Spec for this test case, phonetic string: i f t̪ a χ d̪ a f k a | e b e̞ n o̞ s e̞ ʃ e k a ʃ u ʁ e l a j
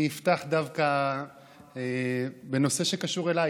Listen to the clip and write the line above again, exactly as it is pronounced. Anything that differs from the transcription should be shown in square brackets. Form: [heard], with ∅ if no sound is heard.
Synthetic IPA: i f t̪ a χ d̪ a [v] k a | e b e̞ n o̞ s e̞ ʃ e k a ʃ u ʁ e l a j